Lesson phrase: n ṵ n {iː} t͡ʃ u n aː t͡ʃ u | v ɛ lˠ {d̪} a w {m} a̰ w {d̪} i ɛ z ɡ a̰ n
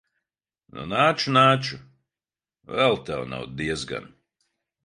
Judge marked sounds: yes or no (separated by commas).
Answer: no, no, no, yes